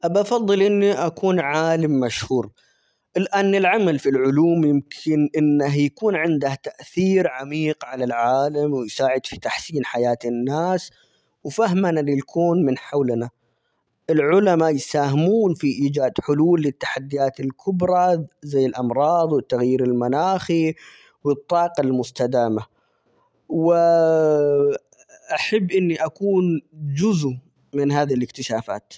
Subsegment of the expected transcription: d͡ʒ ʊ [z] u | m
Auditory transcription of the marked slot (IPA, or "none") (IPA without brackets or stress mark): z